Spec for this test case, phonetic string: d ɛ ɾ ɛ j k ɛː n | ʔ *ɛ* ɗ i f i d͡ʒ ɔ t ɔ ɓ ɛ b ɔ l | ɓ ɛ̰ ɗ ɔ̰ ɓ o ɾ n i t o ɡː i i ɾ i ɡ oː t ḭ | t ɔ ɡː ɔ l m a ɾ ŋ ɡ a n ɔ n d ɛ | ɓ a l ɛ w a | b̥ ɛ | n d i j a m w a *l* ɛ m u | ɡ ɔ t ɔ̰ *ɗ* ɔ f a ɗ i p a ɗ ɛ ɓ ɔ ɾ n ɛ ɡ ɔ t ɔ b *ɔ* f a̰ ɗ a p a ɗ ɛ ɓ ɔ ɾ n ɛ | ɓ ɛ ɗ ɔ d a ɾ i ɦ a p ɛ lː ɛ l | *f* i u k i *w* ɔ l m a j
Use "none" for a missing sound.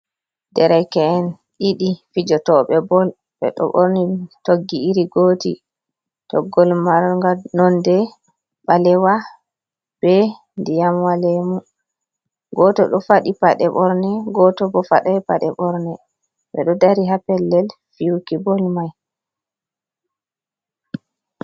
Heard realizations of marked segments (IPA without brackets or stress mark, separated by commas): i, l, ɗ, ɔ, f, b